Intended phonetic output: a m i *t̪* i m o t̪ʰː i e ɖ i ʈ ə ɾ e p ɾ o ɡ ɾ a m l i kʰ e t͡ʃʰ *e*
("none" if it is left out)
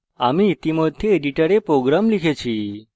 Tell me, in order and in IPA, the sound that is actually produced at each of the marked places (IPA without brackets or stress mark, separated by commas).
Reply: t̪, i